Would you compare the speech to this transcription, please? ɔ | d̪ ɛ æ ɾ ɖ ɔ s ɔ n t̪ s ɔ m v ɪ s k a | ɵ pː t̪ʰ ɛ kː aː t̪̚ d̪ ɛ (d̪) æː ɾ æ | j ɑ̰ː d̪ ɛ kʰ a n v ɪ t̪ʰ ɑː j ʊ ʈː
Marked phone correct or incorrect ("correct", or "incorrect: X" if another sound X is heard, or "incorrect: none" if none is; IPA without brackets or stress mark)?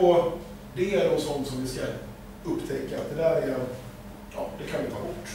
correct